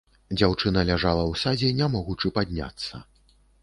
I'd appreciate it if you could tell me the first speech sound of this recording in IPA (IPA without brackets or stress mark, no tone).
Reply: d͡zʲ